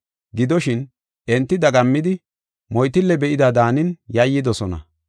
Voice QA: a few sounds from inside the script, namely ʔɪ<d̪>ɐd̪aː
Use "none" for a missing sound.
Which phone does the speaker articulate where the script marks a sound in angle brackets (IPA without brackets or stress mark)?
d̪